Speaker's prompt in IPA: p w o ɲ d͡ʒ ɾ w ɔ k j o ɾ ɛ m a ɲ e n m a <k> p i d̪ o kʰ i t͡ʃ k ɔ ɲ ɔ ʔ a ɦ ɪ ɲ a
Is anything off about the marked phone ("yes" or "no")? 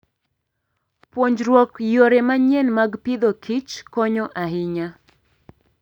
yes